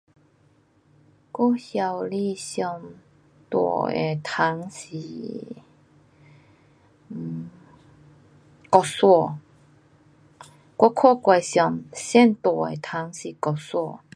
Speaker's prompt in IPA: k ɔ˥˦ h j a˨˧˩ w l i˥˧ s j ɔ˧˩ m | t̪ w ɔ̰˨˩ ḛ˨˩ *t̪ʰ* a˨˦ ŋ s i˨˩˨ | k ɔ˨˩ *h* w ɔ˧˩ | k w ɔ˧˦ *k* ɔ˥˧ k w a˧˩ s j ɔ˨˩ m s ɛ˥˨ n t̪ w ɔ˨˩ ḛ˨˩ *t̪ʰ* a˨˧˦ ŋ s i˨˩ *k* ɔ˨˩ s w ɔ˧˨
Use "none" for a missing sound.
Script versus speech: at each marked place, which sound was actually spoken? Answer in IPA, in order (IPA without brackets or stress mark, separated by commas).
t̪ʰ, s, kʰ, t̪ʰ, k